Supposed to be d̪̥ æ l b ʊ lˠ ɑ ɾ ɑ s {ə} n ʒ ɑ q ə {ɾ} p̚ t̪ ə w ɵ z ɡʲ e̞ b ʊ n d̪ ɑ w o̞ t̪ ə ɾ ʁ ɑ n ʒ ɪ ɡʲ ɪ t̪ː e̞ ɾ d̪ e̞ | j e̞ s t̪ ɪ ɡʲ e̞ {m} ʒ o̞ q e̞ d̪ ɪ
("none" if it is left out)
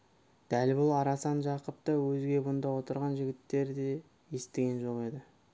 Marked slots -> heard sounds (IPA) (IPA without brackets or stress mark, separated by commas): ɑ, none, n